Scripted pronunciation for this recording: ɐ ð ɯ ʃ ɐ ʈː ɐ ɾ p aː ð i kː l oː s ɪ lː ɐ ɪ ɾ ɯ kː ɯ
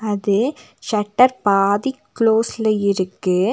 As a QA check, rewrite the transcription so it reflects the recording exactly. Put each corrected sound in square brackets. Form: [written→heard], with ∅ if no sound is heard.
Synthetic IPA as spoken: ɐ ð ɯ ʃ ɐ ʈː ɐ ɾ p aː ð i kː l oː s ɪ [lː→l] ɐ ɪ ɾ ɯ kː ɯ